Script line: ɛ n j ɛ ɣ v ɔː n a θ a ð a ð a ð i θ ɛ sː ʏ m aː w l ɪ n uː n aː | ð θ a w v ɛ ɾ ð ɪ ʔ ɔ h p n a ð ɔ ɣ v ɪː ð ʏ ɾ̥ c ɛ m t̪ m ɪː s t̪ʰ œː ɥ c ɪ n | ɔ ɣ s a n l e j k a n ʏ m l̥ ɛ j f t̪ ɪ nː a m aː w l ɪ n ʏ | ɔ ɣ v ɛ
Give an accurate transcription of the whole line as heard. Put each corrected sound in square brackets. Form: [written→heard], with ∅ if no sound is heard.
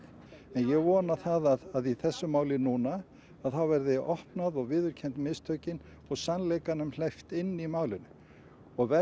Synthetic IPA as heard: ɛ n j ɛ ɣ v ɔː n a θ a ð a ð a ð i θ ɛ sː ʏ m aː w l ɪ n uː n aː | ð θ a w v ɛ ɾ ð ɪ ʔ ɔ h p n a ð ɔ ɣ v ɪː ð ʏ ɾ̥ [c→cʰ] ɛ [m→n] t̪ m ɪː s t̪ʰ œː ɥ c ɪ n | ɔ ɣ s a n l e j k a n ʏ m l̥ ɛ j f t̪ ɪ nː [a→i] m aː w l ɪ n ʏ | ɔ ɣ v ɛ